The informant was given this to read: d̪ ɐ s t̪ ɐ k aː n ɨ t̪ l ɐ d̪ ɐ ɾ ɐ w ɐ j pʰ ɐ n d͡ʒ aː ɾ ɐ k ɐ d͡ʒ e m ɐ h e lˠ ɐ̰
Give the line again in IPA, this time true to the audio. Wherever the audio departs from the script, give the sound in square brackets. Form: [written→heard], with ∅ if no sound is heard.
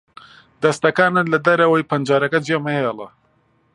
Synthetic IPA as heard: d̪ ɐ s t̪ ɐ k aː n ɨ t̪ l ɐ d̪ ɐ ɾ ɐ w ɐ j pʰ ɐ n d͡ʒ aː ɾ ɐ k ɐ d͡ʒ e m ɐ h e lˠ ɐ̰